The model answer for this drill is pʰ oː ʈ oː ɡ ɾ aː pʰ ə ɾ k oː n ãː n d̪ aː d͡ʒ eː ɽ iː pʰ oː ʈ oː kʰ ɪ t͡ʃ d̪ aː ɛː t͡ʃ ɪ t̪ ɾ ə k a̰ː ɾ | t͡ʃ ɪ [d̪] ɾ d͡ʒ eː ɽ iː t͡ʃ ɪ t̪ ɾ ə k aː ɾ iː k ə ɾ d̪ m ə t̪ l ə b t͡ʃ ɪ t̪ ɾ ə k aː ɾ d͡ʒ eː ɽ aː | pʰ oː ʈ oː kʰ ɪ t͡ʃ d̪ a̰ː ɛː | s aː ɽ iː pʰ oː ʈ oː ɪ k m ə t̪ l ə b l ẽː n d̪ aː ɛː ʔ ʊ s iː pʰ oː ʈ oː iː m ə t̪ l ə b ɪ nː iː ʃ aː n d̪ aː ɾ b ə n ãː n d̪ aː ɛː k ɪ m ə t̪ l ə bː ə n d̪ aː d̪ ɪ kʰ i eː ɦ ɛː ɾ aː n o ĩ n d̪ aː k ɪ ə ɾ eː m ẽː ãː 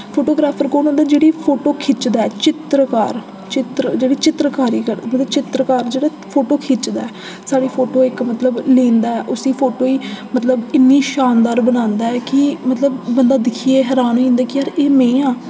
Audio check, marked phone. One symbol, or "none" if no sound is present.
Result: t̪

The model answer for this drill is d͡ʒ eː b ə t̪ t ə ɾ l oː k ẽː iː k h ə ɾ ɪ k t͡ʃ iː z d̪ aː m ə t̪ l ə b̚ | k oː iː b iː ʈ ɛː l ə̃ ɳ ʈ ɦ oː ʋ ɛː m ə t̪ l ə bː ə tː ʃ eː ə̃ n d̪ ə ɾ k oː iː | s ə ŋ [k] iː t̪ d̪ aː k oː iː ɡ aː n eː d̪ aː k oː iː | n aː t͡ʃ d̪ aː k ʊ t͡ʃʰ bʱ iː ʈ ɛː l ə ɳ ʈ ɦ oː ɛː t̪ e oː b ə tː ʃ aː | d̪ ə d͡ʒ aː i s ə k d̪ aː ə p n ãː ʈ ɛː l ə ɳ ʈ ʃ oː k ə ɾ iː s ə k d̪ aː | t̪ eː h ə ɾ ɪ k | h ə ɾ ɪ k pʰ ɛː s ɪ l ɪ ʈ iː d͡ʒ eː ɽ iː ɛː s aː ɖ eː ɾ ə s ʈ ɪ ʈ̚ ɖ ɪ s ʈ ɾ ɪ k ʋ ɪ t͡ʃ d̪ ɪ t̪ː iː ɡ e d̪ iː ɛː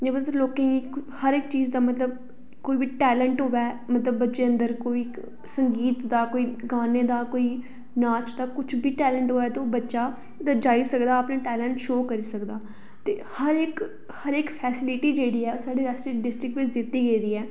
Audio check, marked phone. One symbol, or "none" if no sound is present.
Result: ɡ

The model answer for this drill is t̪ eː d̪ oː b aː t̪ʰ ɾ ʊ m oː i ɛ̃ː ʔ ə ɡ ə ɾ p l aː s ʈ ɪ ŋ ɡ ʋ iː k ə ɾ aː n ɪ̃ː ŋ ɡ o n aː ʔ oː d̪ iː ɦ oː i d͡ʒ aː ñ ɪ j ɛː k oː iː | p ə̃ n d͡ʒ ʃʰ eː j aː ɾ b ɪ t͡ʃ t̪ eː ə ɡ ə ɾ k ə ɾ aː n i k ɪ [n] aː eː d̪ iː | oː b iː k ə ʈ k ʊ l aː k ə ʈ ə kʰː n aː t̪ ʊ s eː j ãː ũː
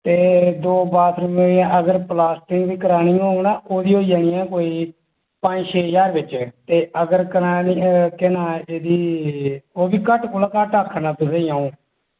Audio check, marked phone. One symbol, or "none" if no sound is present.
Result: n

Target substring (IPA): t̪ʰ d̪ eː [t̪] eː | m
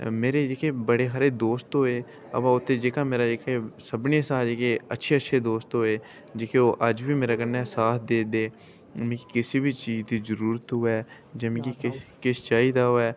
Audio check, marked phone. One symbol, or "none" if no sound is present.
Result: d̪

